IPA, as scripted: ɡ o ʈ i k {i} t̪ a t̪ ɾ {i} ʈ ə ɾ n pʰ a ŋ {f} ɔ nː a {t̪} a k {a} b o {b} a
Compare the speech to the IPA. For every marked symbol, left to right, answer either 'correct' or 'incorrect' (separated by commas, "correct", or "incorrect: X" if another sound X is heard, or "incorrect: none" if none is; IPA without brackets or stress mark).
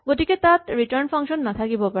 incorrect: e, correct, incorrect: ʃ, incorrect: t̪ʰ, incorrect: i, incorrect: p